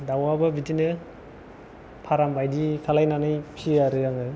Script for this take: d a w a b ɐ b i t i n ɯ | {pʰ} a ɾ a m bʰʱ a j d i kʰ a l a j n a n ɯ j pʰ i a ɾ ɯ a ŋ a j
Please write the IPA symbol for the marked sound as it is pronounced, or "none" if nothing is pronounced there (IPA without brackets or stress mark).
pʰ